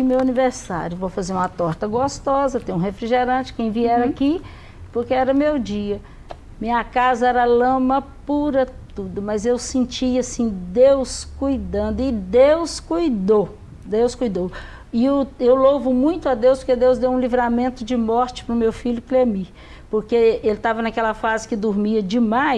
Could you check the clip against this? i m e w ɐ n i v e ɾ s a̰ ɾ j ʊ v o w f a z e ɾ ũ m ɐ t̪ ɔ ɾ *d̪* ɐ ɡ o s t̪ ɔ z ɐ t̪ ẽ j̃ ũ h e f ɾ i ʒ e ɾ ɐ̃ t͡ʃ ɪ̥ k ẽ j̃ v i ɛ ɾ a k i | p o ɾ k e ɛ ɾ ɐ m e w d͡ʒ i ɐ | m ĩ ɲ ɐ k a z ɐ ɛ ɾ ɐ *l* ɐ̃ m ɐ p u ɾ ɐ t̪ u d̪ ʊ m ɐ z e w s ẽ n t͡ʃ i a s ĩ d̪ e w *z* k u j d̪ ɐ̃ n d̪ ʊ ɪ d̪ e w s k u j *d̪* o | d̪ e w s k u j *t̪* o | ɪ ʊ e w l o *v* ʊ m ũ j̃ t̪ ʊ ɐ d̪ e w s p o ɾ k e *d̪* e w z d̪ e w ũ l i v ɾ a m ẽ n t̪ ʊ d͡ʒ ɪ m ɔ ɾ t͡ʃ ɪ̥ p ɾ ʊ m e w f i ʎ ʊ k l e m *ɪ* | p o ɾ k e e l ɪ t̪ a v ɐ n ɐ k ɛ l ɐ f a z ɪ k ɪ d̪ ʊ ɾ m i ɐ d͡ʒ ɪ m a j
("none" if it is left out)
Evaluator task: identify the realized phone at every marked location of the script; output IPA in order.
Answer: t̪, l, s, d̪, d̪, v, d̪, i

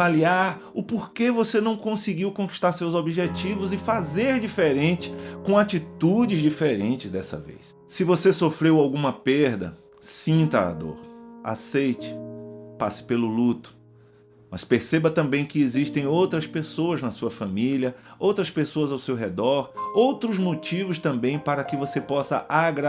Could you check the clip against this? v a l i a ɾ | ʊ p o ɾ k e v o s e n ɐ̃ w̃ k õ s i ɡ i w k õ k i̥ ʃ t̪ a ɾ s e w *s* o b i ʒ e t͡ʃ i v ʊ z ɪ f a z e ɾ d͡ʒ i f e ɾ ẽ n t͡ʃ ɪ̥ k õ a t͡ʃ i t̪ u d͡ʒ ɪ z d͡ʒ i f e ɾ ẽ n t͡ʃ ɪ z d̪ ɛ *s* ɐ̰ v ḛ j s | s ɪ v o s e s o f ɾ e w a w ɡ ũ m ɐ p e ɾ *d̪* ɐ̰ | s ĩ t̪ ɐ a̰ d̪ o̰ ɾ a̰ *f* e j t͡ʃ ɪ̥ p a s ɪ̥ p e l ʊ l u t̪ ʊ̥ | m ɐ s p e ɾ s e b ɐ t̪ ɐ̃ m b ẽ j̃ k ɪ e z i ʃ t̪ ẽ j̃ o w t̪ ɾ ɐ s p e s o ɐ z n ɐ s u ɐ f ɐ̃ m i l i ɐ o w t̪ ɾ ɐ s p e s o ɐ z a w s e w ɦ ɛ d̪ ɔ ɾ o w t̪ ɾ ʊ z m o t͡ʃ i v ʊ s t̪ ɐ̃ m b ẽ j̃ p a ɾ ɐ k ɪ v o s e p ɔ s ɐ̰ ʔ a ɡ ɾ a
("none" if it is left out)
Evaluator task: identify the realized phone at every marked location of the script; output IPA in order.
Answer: z, s, d̪, s

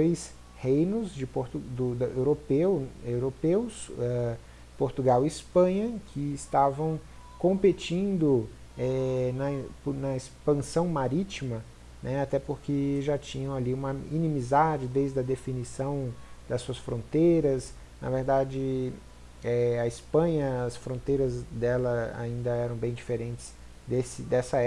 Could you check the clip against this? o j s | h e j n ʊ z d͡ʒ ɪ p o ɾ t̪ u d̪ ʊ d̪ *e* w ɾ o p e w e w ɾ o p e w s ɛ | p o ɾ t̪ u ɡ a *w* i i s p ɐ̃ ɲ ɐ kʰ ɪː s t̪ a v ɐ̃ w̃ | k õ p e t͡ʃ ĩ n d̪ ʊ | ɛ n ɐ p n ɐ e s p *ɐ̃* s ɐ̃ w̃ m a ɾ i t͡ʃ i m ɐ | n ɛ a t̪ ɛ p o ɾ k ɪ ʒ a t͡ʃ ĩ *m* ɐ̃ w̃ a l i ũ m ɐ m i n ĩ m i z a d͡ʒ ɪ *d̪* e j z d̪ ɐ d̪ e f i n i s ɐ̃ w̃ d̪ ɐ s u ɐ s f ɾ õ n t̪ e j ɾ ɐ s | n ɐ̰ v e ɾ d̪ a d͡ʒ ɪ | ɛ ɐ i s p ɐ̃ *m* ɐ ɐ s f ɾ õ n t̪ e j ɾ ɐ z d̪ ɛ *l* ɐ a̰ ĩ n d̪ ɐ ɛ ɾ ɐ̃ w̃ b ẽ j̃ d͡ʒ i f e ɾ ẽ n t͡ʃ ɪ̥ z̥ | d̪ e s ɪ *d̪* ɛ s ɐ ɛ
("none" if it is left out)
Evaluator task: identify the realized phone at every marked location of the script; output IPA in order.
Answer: e, w, ɐ̃, ɲ, d̪, ɲ, l, d̪

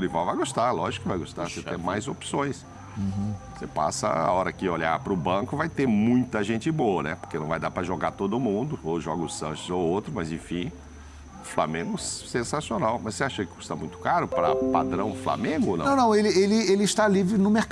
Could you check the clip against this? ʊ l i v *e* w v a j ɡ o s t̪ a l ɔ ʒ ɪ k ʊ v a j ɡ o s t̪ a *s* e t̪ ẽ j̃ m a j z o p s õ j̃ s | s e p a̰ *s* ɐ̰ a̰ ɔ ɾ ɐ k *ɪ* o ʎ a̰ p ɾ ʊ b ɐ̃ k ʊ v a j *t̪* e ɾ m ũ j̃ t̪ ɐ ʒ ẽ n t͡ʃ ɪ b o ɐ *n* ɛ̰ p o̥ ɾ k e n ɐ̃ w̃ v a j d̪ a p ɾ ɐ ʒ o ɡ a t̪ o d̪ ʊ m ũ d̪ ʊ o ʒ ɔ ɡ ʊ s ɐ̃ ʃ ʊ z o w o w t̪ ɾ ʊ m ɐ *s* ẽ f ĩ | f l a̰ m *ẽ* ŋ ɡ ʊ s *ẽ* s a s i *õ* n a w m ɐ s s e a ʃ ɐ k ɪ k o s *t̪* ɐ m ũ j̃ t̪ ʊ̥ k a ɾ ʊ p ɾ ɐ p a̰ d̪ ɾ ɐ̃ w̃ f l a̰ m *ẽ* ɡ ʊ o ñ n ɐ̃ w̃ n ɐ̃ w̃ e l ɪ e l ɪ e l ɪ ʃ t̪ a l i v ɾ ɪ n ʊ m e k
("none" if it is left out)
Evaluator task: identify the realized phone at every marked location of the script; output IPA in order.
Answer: a, s, s, ɪ, t̪, n, z, ẽ, ẽ, o, t̪, ẽ

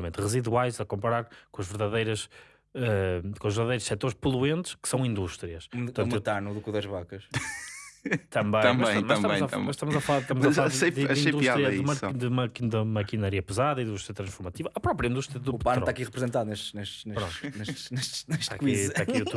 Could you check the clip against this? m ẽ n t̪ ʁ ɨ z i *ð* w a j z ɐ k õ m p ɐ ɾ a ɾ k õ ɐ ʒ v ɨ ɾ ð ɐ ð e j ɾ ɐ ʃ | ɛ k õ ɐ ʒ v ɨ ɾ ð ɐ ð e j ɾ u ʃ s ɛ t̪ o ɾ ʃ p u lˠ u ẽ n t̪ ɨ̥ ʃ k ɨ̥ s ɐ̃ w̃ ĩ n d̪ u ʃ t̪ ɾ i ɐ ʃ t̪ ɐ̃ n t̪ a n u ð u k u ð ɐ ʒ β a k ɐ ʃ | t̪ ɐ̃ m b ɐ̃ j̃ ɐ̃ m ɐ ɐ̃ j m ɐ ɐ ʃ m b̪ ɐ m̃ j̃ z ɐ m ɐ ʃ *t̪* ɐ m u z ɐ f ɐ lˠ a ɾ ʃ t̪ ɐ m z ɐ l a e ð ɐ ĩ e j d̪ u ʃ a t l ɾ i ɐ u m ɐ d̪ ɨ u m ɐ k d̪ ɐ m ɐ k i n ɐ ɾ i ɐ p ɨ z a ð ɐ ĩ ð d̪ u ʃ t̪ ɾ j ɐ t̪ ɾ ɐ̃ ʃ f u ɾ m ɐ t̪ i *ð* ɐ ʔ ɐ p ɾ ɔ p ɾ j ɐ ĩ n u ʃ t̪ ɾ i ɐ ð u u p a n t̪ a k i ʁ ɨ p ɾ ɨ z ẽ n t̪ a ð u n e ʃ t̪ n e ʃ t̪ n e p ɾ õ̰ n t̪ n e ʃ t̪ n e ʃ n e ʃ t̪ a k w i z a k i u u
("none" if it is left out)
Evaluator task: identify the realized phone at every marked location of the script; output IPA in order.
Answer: ð, t̪, v

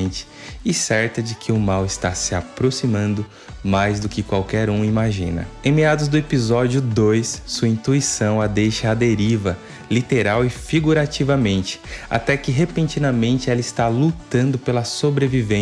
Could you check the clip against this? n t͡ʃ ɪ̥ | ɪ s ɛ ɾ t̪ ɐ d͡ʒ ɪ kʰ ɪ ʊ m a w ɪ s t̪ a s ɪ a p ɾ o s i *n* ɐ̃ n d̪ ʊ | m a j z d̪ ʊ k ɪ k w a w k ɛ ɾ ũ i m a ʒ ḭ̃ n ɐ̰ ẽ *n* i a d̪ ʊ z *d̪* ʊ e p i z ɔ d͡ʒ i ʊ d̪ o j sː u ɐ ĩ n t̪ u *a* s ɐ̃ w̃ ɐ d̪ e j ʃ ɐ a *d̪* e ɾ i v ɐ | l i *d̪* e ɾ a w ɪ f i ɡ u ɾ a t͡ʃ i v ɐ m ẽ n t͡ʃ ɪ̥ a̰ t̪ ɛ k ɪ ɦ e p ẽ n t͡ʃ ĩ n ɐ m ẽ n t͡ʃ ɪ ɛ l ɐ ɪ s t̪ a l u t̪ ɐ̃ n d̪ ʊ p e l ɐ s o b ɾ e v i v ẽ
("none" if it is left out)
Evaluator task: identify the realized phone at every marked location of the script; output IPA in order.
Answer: m, m, d̪, i, d̪, t̪

